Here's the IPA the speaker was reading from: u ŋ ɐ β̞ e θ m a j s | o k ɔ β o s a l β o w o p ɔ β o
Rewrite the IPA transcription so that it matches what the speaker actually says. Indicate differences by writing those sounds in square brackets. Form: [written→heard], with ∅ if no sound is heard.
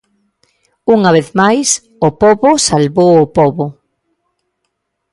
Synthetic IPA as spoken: u ŋ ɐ β̞ e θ m a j s | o [k→p] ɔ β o s a l β o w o p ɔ β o

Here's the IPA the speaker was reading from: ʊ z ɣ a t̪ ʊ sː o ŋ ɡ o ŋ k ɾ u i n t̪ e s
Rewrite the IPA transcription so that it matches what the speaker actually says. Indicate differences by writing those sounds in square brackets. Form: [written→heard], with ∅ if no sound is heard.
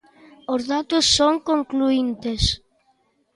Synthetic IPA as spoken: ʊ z [ɣ→ð] a t̪ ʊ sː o ŋ [ɡ→k] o ŋ k [ɾ→l] u i n t̪ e s

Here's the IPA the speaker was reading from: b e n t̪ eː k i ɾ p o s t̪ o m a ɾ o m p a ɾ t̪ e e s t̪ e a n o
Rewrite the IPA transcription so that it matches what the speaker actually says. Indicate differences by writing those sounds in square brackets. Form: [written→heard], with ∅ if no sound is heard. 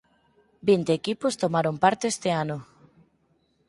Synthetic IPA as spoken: b [e→i] n t̪ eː k i [ɾ→∅] p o s t̪ o m a ɾ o m p a ɾ t̪ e e s t̪ e a n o

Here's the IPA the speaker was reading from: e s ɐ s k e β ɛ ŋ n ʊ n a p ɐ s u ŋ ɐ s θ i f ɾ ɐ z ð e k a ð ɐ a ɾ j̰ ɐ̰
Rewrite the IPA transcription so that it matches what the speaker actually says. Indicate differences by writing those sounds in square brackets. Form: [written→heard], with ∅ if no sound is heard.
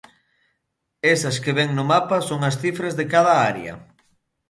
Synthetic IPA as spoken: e s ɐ s k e β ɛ ŋ n ʊ [n→m] a p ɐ s [u→o] ŋ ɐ s θ i f ɾ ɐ z ð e k a ð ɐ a ɾ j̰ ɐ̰

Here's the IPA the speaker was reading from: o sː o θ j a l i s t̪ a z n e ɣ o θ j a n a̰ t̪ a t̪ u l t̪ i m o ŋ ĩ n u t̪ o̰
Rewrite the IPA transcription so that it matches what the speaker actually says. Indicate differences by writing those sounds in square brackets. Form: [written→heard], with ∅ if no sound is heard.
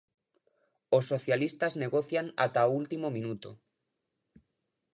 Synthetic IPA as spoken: o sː o θ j a l i s t̪ a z n e ɣ o θ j a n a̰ t̪ a [t̪→∅] u l t̪ i m o [ŋ→m] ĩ n u t̪ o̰

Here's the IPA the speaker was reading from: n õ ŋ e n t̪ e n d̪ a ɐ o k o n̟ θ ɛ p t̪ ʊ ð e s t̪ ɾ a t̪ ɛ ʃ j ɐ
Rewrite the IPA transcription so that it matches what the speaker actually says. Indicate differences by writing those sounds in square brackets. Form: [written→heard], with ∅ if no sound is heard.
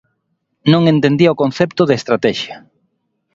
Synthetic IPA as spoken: n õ ŋ e n t̪ e n d̪ [a→i] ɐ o k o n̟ θ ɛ p t̪ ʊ ð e s t̪ ɾ a t̪ ɛ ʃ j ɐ

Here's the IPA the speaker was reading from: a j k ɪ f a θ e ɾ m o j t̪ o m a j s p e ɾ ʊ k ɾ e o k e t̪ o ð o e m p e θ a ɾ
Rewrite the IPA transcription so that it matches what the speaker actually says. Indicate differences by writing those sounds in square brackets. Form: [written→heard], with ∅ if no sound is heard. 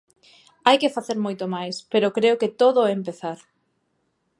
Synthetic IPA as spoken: a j k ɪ f a θ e ɾ m o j t̪ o m a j s p e ɾ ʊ k ɾ e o k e t̪ o ð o e m p e θ a ɾ

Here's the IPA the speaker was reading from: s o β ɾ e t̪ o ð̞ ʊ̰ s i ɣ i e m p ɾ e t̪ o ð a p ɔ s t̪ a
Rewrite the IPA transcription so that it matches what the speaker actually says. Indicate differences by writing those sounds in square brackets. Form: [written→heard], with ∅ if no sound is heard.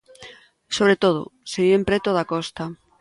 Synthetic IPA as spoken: s o β ɾ e t̪ o ð̞ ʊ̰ s [i→e] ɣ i e m p ɾ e t̪ o ð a [p→k] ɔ s t̪ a

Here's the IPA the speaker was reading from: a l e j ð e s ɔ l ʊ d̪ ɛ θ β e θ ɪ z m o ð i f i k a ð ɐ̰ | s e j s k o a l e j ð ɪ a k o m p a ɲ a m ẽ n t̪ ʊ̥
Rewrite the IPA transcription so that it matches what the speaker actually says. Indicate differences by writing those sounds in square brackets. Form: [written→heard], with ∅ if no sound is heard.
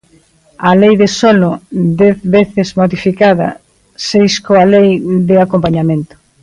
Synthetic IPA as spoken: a l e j ð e s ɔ l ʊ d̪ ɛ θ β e θ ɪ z m o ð i f i k a ð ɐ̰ | s e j s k o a l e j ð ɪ a k o m p a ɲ a m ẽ n t̪ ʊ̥

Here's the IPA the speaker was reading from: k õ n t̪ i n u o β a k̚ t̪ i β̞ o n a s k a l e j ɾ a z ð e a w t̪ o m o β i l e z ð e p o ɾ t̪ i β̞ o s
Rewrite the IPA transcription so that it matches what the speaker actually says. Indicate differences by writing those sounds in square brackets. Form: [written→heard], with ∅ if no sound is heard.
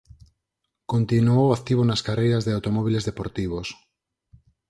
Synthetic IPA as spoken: k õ n t̪ i n u o [β→w] a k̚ t̪ i β̞ o n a s k a [l→r] e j ɾ a z ð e a w t̪ o m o β i l e z ð e p o ɾ t̪ i β̞ o s

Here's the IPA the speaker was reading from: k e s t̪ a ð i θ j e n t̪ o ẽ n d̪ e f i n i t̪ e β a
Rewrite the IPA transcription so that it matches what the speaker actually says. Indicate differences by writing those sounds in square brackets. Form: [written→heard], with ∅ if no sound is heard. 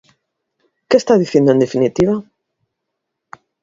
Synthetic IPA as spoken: k e s t̪ a ð i θ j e n [t̪→d̪] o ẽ n d̪ e f i n i t̪ [e→i] β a

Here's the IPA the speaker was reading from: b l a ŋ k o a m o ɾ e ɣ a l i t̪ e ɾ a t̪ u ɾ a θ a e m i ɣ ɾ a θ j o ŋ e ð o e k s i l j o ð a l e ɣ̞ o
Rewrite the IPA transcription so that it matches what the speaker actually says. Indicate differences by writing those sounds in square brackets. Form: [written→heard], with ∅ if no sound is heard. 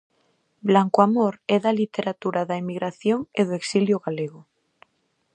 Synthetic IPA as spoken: b l a ŋ k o a m o ɾ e [ɣ→ð] a l i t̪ e ɾ a t̪ u ɾ a [θ→ð] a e m i ɣ ɾ a θ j o ŋ e ð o e k s i l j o [ð→ɣ] a l e ɣ̞ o

